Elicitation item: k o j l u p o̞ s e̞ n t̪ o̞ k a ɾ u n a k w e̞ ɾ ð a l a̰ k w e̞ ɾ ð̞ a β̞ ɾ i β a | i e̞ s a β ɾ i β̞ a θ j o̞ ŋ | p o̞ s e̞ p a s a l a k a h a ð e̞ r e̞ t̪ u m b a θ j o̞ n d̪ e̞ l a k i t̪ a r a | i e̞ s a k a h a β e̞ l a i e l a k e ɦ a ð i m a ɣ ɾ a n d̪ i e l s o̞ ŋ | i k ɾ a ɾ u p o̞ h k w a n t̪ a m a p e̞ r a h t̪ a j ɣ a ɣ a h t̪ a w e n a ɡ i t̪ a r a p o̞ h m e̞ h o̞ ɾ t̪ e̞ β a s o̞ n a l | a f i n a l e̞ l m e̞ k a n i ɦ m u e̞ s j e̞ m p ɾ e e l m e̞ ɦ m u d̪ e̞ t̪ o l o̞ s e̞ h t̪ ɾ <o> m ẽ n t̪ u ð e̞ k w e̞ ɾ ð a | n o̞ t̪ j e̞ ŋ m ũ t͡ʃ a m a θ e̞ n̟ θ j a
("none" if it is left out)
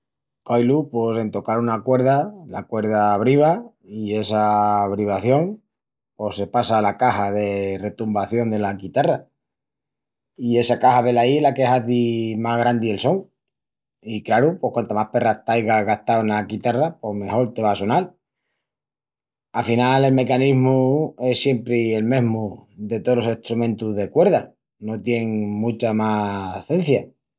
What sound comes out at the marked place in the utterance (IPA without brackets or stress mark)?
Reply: u